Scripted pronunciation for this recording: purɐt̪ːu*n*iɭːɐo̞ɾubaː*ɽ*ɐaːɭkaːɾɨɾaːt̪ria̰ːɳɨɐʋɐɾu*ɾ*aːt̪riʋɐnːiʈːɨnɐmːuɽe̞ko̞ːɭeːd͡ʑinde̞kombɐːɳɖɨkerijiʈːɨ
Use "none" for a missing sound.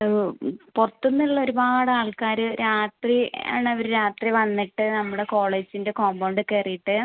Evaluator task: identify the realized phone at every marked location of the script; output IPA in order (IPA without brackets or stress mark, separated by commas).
nː, ɽ, ɾ